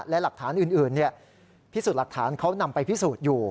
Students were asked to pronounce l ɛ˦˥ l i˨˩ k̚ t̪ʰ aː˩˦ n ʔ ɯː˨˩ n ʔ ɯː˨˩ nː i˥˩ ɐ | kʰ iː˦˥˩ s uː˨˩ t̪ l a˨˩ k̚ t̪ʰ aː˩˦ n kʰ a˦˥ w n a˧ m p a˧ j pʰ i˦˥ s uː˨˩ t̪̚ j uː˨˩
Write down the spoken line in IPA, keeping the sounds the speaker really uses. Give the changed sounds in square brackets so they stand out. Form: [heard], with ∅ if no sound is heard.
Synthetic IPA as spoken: l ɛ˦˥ l [a˨˩] k̚ t̪ʰ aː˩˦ n ʔ ɯː˨˩ n ʔ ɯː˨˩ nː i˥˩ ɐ | [pʰ] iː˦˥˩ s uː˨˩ t̪ l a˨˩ k̚ t̪ʰ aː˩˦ n kʰ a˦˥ w n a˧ m p a˧ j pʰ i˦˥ s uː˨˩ t̪̚ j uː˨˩

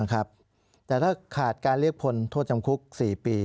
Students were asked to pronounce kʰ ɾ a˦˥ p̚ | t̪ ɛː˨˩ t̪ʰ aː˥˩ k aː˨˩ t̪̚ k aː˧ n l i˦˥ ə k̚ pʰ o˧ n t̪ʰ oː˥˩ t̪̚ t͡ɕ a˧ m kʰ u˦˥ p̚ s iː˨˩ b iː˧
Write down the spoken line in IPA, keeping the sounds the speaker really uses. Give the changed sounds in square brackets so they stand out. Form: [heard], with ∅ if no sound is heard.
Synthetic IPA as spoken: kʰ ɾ a˦˥ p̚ | t̪ ɛː˨˩ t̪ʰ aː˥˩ [kʰ] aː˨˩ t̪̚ k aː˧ n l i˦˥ ə k̚ pʰ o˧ n t̪ʰ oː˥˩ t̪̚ t͡ɕ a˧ m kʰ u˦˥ [k̚] s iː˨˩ [p] iː˧

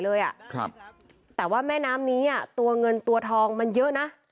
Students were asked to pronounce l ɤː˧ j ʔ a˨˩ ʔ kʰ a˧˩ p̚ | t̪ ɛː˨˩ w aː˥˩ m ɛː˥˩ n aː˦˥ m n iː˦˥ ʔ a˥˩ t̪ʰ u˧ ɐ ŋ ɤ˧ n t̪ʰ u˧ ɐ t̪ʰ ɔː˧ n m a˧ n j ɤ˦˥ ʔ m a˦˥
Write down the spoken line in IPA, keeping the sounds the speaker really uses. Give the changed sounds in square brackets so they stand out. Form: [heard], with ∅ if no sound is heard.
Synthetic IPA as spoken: l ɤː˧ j ʔ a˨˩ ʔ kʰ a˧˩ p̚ | t̪ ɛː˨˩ w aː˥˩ m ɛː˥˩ n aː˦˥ m n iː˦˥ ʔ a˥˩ [t̪] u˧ ɐ ŋ ɤ˧ n [t̪] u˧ ɐ t̪ʰ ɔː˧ [ŋ] m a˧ n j ɤ˦˥ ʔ [n] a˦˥

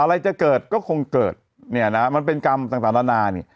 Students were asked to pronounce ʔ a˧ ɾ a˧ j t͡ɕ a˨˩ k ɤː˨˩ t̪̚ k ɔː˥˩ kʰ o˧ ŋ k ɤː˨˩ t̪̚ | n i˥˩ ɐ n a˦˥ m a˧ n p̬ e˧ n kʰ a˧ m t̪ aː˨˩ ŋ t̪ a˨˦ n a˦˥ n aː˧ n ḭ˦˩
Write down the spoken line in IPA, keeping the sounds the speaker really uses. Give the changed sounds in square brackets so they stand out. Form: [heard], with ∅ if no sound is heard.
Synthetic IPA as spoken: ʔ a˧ ɾ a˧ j t͡ɕ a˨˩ k ɤː˨˩ t̪̚ k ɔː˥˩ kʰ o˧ ŋ k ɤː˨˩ t̪̚ | n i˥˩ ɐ n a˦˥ m a˧ n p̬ e˧ n [k] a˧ m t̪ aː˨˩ ŋ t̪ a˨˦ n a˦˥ n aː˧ n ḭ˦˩

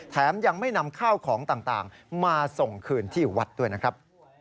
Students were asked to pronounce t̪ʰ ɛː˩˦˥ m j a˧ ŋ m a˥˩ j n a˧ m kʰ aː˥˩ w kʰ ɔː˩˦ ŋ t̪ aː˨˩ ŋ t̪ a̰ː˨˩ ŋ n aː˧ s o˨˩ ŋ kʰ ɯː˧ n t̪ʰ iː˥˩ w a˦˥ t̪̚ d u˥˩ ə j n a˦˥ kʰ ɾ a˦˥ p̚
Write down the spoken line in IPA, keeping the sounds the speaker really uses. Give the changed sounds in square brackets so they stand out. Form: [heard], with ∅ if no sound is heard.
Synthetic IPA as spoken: t̪ʰ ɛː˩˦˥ m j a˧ ŋ m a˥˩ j n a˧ m kʰ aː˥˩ w kʰ ɔː˩˦ ŋ t̪ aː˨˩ ŋ t̪ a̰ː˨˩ ŋ [m] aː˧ s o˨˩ ŋ kʰ ɯː˧ n t̪ʰ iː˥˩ w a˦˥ t̪̚ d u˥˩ ə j n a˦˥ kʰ ɾ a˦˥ p̚

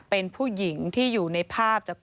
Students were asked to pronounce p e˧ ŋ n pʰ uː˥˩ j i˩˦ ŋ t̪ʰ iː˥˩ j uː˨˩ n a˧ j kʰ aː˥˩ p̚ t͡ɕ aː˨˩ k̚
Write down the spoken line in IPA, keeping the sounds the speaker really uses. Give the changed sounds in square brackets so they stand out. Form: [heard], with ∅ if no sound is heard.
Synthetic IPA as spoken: p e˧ [∅] n pʰ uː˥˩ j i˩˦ ŋ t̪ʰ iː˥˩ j uː˨˩ n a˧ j [pʰ] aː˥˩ p̚ t͡ɕ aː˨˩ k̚

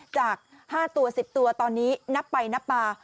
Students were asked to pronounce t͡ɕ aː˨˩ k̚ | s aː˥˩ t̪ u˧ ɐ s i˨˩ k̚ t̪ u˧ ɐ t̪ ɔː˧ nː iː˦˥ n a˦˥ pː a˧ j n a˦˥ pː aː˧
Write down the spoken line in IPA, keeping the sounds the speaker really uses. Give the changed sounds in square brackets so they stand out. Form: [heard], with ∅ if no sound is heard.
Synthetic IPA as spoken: t͡ɕ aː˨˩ k̚ | [h] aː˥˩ t̪ u˧ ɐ s i˨˩ [p̚] t̪ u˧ ɐ t̪ ɔː˧ nː iː˦˥ n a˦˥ pː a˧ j n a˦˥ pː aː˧

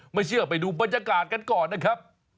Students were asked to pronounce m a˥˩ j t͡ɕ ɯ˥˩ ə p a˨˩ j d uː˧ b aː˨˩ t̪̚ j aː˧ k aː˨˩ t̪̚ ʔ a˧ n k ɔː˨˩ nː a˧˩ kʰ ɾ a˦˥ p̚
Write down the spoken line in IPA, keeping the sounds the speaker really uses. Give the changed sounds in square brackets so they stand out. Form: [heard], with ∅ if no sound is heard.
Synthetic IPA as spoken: m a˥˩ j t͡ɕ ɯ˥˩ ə p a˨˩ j d uː˧ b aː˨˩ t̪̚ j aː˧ k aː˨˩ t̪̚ [k] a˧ n k ɔː˨˩ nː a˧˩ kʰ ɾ a˦˥ p̚

